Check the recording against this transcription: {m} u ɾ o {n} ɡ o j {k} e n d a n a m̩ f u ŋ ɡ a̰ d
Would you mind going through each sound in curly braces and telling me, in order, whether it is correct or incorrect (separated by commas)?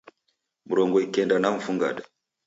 correct, incorrect, correct